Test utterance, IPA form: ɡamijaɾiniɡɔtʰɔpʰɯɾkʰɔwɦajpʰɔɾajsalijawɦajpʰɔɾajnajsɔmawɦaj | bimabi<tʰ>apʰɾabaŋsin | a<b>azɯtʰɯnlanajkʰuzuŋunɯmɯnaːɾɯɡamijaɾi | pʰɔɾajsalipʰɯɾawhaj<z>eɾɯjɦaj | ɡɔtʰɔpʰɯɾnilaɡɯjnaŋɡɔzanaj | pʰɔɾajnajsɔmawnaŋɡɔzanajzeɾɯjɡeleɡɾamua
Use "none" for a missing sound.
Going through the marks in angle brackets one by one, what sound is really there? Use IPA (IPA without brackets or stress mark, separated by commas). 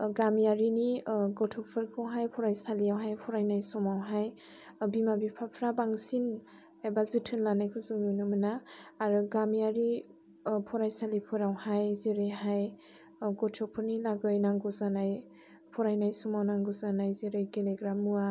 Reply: pʰ, b, z